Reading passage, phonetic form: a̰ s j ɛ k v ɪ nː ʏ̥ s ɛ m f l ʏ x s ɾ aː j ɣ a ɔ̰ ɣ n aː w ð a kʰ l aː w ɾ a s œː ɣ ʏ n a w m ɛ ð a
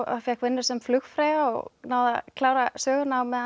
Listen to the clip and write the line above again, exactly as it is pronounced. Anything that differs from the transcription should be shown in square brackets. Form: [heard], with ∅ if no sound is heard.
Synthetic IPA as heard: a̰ [f] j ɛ k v ɪ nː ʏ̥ s ɛ m f l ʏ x [f] ɾ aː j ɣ a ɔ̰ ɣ n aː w ð a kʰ l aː w ɾ a s œː ɣ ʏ n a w m ɛ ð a